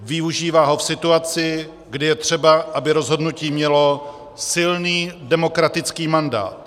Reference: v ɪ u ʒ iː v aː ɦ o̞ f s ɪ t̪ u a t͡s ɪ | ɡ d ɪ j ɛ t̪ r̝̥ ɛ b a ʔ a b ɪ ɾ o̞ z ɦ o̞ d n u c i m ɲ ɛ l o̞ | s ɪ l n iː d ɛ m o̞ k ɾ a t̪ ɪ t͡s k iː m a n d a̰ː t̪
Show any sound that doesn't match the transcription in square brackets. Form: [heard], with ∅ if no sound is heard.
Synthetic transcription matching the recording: v ɪ u ʒ iː v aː ɦ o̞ f s ɪ t̪ u a t͡s ɪ | ɡ d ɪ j ɛ t̪ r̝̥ ɛ b a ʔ a b ɪ ɾ o̞ z ɦ o̞ d n u c [iː] m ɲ ɛ l o̞ | s ɪ l n iː d ɛ m o̞ k ɾ a t̪ ɪ t͡s k iː m a n d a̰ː t̪